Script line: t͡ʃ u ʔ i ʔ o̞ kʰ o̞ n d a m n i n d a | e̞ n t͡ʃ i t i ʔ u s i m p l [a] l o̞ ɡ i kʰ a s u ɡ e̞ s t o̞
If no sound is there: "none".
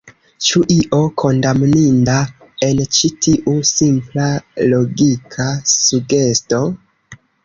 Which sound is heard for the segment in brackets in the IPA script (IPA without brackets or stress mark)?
a